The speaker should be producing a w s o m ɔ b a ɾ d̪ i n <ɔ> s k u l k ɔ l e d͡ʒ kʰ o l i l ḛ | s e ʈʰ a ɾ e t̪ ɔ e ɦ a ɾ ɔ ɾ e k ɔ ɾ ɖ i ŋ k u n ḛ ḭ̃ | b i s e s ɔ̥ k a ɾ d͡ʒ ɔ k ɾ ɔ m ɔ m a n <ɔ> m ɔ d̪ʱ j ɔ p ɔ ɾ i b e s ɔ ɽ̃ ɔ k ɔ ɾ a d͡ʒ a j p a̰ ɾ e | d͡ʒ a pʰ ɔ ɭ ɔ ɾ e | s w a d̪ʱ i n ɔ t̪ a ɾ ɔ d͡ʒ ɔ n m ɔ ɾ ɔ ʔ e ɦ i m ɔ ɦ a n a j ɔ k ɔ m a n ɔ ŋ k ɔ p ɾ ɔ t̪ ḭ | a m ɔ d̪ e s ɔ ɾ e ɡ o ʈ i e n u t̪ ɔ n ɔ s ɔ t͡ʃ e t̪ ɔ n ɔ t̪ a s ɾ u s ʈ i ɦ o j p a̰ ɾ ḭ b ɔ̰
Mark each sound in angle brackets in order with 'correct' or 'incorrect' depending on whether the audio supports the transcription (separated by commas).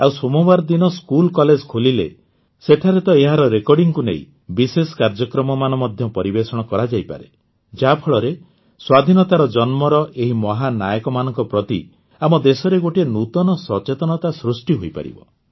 correct, correct